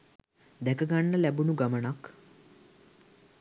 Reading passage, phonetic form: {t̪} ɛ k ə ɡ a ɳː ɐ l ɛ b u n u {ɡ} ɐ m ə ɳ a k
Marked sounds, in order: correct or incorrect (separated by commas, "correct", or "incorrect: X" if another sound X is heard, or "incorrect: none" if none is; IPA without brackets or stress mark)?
incorrect: d̪, correct